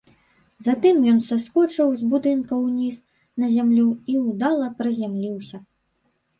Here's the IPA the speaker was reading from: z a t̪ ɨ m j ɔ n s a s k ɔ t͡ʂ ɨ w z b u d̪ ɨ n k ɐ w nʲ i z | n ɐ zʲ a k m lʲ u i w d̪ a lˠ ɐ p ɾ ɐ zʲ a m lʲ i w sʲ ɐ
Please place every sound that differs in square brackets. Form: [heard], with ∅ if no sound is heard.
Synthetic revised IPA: z a t̪ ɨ m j ɔ n s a s k ɔ t͡ʂ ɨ w z b u d̪ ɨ n k ɐ w nʲ i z | n ɐ zʲ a [∅] m lʲ u i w d̪ a lˠ ɐ p ɾ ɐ zʲ a m lʲ i w sʲ ɐ